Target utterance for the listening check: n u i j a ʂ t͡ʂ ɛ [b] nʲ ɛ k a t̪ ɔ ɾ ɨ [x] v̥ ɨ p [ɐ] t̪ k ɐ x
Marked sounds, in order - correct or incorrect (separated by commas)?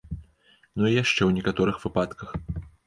incorrect, correct, incorrect